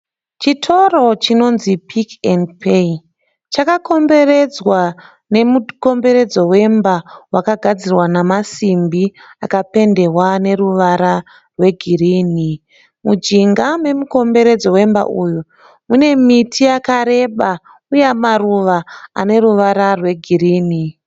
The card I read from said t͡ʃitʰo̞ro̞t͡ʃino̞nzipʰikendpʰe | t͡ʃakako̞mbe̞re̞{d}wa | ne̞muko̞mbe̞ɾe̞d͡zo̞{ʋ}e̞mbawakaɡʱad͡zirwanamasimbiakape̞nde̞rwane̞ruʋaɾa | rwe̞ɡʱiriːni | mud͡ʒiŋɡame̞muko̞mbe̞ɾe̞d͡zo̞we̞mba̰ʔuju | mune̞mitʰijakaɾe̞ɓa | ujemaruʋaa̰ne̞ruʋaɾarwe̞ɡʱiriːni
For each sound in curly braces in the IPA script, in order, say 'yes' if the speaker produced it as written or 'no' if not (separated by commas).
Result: no, no